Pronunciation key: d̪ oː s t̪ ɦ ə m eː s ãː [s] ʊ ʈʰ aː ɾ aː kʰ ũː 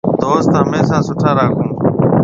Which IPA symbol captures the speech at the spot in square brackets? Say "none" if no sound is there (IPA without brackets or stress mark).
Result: s